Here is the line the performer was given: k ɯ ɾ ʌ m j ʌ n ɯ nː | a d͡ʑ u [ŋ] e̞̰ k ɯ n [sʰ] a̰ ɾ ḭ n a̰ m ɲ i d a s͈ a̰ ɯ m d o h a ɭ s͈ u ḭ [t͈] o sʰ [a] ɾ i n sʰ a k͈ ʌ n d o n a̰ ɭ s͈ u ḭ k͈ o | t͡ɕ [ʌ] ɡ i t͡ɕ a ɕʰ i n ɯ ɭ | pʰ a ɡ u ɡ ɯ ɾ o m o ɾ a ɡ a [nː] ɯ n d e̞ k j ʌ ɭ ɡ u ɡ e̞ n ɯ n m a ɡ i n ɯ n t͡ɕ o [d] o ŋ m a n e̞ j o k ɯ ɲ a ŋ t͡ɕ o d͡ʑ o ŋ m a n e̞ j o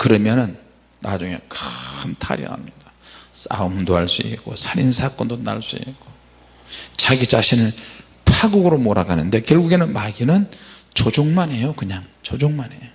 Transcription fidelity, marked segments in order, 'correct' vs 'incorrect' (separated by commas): correct, incorrect, incorrect, correct, incorrect, incorrect, incorrect